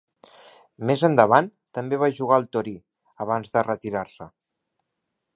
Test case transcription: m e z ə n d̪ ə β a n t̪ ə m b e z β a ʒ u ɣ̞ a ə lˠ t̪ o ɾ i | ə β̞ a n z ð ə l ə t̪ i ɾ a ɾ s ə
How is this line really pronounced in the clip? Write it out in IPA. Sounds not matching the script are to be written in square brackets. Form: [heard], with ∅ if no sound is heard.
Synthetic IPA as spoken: m e z ə n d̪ ə β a n t̪ ə m b e [∅] β a ʒ u ɣ̞ a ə lˠ t̪ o ɾ i | ə β̞ a n z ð ə [r] ə t̪ i ɾ a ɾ s ə